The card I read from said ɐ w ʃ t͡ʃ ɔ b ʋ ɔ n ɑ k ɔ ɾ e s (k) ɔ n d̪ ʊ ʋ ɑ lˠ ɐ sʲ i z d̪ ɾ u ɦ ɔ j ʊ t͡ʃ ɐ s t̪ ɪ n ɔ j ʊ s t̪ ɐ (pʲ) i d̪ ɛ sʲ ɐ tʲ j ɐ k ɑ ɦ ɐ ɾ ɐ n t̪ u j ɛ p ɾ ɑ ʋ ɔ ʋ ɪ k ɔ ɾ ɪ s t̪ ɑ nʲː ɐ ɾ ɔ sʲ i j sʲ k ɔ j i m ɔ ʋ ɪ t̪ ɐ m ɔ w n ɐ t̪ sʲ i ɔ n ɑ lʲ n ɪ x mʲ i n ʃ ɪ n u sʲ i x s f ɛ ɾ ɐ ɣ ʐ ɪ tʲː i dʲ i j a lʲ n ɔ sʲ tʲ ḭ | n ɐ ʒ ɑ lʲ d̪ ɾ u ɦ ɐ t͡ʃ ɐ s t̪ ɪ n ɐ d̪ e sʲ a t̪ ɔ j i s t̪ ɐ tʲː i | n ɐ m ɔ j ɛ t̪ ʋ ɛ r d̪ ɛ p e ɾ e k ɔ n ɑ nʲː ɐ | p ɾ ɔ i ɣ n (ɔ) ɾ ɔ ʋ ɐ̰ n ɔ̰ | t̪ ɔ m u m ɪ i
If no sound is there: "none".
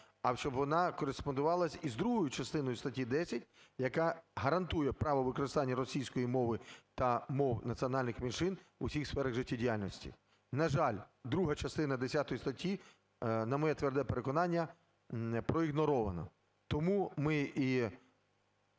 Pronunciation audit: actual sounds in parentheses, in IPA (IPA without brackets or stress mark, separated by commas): p, tʲ, ɔ